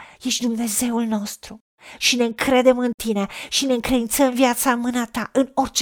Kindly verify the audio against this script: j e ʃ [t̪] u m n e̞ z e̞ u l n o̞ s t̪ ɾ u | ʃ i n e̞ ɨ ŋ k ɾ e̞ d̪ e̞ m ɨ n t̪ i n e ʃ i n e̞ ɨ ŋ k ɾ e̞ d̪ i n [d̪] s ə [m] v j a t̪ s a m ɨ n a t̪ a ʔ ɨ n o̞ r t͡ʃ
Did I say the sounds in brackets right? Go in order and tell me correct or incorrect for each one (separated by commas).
incorrect, incorrect, correct